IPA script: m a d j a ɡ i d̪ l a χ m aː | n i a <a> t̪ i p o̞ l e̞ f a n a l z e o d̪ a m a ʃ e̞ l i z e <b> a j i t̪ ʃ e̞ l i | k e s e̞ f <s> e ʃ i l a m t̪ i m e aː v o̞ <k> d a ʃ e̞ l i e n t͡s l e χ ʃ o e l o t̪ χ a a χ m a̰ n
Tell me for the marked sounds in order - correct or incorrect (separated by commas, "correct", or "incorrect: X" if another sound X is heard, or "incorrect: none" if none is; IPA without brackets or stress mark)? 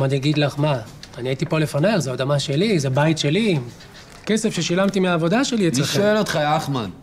incorrect: i, correct, incorrect: ʃ, incorrect: none